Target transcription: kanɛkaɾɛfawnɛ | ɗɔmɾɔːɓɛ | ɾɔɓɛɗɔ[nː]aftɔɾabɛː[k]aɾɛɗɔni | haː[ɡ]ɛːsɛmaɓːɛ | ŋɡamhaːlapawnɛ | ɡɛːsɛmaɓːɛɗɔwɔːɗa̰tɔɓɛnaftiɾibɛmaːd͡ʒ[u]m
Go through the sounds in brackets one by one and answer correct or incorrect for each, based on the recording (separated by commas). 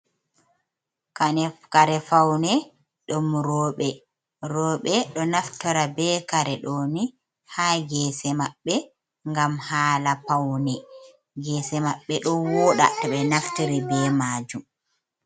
incorrect, correct, correct, correct